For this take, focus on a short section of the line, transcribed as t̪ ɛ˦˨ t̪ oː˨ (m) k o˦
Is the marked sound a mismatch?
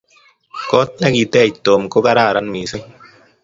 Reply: no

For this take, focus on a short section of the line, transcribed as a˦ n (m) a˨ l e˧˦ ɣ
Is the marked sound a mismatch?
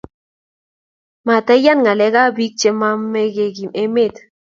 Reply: yes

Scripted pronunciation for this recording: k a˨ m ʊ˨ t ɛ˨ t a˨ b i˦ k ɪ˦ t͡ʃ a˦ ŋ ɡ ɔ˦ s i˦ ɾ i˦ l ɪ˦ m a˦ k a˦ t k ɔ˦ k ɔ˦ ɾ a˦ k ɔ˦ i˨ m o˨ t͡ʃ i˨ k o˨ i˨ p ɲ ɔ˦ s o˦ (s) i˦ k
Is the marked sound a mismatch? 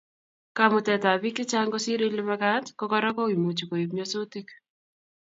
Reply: yes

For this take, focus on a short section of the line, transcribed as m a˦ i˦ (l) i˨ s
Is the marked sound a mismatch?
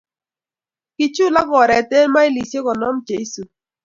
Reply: no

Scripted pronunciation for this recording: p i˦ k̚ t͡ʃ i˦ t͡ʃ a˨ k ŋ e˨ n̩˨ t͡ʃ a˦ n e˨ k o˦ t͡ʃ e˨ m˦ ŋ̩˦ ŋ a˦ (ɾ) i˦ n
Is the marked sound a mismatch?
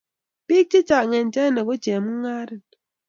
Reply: no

